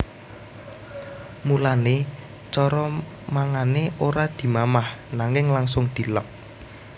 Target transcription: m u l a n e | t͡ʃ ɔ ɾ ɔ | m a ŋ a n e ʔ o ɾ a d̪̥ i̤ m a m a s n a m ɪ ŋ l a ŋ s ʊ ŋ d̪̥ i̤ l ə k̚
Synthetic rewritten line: m u l a n e | t͡ʃ ɔ ɾ ɔ | m a ŋ a n e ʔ o ɾ a d̪̥ i̤ m a m a h n a ŋ ɪ ŋ l a ŋ s ʊ ŋ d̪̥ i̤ l ə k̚